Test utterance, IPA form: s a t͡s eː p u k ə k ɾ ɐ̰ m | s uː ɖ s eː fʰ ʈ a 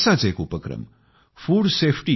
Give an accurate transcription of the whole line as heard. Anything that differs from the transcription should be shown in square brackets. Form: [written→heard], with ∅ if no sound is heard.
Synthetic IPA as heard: s a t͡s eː [p→k] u [k→p] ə k ɾ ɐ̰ m | [s→f] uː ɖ s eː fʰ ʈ [a→i]

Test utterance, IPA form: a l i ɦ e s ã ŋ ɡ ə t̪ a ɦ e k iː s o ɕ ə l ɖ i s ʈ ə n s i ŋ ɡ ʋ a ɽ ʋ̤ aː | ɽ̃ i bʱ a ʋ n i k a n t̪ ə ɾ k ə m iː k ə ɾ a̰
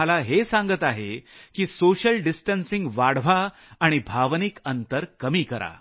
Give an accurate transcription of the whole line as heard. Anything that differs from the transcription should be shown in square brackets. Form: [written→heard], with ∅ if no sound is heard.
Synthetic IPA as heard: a l [i→a] ɦ e s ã ŋ ɡ ə t̪ a ɦ e k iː s o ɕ ə l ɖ i s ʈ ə n s i ŋ ɡ ʋ a ɽ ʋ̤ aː | ɽ̃ i bʱ a ʋ n i k [a→ə] n t̪ ə ɾ k ə m iː k ə ɾ a̰

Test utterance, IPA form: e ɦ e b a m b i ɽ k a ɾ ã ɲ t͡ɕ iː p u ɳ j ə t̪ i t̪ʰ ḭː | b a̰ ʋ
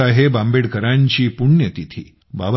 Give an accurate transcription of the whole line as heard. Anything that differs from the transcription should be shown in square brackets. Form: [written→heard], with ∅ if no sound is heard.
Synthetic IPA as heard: [e→a] ɦ e b a m b [i→e] ɽ k [a→ə] ɾ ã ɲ t͡ɕ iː p u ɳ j ə t̪ i t̪ʰ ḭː | b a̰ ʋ

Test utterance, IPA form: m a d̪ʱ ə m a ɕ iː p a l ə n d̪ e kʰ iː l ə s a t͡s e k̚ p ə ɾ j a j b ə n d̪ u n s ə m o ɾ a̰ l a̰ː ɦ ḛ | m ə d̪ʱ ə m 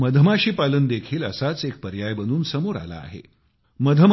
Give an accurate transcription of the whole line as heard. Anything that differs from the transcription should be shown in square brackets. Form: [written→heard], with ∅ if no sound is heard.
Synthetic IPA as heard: m [a→ə] d̪ʱ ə m a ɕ iː p a l ə n d̪ e kʰ iː l ə s a t͡s e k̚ p ə ɾ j a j b ə n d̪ [u→uː] n s ə m o ɾ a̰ l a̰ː ɦ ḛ | m ə d̪ʱ ə m

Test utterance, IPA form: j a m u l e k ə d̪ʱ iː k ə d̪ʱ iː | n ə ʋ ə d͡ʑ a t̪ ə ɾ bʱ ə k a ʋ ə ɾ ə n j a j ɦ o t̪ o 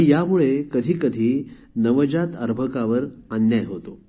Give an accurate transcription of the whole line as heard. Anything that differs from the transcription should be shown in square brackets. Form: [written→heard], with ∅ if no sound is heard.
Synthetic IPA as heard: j a m u [l→ɭ] e k ə d̪ʱ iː k ə d̪ʱ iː | n ə ʋ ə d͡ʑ a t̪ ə ɾ bʱ ə k a ʋ ə ɾ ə n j a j ɦ o t̪ o

